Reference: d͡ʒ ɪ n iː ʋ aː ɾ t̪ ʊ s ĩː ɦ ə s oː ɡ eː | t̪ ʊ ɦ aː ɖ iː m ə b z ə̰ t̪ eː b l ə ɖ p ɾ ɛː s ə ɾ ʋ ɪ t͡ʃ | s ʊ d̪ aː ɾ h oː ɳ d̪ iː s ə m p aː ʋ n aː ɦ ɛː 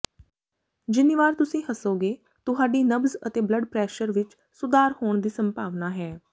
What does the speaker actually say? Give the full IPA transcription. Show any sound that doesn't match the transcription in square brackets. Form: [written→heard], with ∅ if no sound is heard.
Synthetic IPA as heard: d͡ʒ ɪ n iː ʋ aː ɾ t̪ ʊ s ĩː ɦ ə s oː ɡ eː | t̪ ʊ ɦ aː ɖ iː [m→n] ə b z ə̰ t̪ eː b l ə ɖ p ɾ ɛː [s→ʃ] ə ɾ ʋ ɪ t͡ʃ | s ʊ d̪ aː ɾ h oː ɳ d̪ iː s ə m p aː ʋ n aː ɦ ɛː